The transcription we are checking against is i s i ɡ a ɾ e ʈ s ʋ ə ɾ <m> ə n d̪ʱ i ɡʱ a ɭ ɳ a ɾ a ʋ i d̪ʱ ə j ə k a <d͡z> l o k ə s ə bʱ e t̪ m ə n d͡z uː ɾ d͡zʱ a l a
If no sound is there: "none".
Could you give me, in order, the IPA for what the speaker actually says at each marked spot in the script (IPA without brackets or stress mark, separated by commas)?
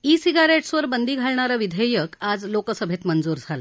b, d͡z